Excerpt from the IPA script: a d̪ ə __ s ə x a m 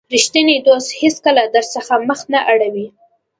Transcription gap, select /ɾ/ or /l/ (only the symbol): ɾ